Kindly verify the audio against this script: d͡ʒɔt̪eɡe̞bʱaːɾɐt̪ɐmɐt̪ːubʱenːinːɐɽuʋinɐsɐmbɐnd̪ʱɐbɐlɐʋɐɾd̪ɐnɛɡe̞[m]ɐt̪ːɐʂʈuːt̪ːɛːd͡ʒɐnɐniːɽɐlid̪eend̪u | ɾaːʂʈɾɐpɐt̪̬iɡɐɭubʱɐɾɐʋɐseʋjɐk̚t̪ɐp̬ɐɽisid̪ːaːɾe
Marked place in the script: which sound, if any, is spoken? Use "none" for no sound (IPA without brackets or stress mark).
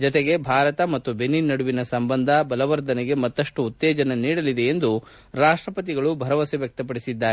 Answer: m